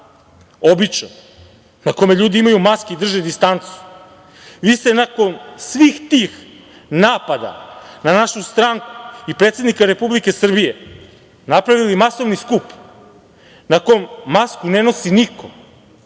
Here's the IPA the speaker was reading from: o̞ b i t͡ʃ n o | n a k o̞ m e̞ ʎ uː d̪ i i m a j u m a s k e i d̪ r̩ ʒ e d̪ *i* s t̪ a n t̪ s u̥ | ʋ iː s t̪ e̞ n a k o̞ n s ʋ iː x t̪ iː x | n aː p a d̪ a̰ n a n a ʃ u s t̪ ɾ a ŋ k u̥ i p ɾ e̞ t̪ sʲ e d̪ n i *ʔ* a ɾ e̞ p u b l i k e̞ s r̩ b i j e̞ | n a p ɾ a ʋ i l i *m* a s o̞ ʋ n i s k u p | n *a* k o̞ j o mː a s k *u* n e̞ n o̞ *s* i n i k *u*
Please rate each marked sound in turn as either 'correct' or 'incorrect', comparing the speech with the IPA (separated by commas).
correct, incorrect, correct, correct, correct, correct, incorrect